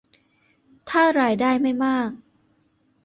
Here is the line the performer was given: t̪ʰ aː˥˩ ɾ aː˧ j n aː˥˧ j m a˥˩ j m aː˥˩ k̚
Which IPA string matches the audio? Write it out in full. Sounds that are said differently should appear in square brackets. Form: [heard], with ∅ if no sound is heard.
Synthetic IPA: t̪ʰ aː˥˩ ɾ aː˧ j [d] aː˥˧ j m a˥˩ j m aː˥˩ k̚